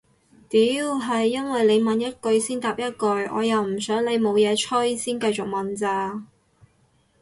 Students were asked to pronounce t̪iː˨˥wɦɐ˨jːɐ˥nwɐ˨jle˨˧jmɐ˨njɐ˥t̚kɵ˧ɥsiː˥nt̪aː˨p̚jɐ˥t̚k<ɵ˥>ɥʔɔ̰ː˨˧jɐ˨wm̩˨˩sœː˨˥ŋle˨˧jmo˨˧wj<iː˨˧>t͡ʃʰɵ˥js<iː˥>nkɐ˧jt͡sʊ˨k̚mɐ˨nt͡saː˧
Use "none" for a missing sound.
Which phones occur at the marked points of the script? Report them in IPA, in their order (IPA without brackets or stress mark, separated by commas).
ɵ˧, ɛː˨˧, iː˥